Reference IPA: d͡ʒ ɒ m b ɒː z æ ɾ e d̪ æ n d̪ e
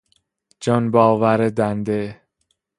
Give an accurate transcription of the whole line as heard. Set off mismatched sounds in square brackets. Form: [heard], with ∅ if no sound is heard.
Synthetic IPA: d͡ʒ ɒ [n] b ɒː [v] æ ɾ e d̪ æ n d̪ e